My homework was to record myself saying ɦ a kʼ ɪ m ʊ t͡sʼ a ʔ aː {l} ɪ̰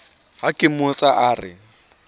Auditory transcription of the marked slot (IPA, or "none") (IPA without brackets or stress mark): r